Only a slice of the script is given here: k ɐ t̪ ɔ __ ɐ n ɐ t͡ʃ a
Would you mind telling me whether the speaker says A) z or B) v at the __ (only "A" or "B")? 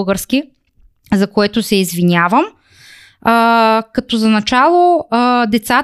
A